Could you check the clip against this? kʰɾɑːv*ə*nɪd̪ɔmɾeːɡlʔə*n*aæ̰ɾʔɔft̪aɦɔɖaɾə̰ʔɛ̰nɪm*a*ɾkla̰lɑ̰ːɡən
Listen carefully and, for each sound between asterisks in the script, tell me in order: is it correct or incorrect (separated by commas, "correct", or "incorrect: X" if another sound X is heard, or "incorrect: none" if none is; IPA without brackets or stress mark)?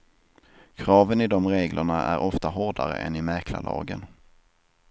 correct, incorrect: ɳ, incorrect: æ